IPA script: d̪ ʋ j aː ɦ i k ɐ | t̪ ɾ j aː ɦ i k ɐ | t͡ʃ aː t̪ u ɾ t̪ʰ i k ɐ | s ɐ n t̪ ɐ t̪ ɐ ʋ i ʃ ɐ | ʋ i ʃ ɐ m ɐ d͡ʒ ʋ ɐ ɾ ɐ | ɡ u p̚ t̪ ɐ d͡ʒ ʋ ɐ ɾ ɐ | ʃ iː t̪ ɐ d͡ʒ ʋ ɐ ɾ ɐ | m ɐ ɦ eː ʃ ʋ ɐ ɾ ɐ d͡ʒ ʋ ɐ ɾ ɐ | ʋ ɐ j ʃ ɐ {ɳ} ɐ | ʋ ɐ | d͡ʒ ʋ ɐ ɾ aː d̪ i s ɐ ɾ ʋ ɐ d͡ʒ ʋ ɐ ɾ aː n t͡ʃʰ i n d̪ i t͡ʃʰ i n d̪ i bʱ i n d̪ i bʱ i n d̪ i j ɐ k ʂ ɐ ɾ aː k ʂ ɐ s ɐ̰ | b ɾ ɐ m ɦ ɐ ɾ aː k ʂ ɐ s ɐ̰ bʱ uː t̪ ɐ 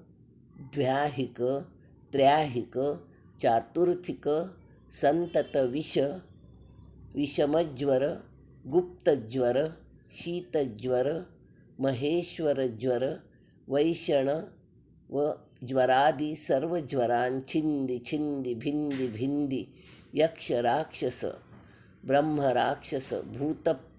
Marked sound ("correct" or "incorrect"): correct